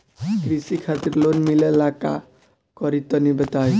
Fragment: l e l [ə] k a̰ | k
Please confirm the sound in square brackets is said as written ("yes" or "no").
no